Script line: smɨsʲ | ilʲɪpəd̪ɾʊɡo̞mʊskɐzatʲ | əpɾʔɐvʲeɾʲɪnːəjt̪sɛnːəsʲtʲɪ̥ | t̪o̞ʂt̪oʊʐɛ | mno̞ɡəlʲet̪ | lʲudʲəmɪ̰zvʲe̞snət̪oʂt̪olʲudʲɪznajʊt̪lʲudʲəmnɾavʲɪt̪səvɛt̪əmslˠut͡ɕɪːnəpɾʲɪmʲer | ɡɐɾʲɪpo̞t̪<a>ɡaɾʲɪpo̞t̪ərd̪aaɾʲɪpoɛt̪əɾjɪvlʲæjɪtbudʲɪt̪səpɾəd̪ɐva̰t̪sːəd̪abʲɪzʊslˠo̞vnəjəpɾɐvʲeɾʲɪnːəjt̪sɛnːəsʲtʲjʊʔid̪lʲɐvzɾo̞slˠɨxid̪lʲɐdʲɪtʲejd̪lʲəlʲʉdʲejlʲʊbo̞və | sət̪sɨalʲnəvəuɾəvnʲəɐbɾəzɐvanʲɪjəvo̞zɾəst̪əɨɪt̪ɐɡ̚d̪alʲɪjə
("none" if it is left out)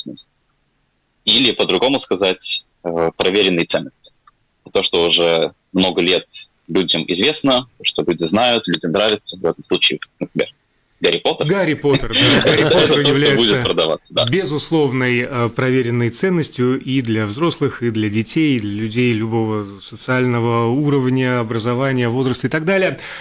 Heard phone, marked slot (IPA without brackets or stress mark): ə